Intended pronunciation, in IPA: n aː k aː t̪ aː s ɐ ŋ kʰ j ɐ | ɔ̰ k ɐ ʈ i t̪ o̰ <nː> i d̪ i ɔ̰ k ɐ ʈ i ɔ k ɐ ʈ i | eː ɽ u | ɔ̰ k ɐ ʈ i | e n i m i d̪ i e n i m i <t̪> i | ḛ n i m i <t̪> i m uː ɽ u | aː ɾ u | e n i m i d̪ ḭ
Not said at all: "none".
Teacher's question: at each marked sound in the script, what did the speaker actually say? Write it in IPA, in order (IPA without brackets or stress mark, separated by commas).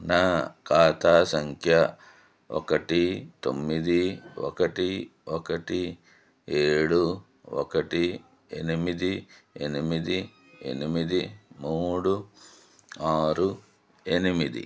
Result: mː, d̪, d̪